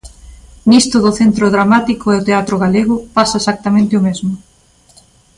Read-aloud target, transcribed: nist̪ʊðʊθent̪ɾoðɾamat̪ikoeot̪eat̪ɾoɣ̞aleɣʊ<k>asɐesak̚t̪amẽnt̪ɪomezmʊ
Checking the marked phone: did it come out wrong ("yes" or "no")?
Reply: yes